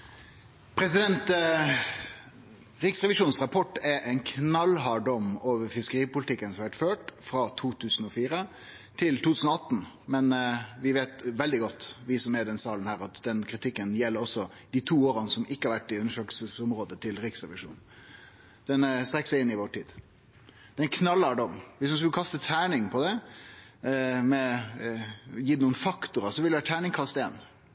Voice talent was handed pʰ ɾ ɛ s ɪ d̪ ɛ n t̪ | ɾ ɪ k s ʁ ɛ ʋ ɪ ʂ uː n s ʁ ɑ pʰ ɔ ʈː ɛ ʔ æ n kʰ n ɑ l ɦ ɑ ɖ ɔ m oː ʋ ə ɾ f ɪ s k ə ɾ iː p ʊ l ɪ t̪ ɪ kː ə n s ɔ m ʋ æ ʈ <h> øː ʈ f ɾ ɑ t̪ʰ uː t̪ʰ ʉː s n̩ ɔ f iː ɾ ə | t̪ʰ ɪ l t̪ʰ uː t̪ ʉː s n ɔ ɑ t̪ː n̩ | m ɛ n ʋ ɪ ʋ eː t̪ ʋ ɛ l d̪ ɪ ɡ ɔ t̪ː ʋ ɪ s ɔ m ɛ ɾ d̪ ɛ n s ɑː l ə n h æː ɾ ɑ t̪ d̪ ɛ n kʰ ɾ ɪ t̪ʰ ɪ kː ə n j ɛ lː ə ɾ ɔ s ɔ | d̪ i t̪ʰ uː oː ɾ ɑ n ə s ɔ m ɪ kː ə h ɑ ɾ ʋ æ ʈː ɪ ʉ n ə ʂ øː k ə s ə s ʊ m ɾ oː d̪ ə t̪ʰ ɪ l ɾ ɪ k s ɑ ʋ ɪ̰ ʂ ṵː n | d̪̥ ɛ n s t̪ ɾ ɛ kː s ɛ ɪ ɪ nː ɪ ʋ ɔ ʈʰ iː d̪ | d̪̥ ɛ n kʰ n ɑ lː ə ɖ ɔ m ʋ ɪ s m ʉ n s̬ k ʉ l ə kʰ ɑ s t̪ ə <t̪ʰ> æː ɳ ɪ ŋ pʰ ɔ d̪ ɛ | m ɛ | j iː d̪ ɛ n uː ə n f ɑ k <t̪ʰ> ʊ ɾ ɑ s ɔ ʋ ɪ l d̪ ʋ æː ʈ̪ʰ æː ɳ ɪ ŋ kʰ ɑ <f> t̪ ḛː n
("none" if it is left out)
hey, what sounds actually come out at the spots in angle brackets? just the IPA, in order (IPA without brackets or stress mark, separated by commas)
f, t̪ʰ, t̪, s